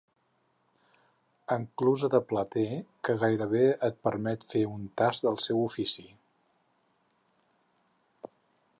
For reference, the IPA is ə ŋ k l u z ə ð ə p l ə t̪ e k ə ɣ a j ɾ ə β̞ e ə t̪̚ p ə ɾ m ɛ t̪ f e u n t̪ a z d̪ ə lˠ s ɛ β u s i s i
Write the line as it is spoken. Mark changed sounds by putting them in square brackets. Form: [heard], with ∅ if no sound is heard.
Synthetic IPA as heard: ə ŋ k l u z ə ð ə p l ə t̪ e k ə ɣ a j ɾ ə β̞ e ə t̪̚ p ə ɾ m ɛ t̪ f e u n t̪ a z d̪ ə lˠ s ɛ [w] u [f] i s i